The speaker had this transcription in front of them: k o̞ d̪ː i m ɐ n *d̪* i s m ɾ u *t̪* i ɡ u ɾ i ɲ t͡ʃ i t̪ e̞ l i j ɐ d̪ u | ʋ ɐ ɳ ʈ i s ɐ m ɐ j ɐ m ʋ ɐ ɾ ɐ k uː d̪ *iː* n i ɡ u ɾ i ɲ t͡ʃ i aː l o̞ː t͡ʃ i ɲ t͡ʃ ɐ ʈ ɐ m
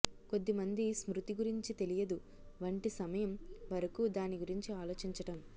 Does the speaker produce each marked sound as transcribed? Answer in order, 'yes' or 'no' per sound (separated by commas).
yes, yes, no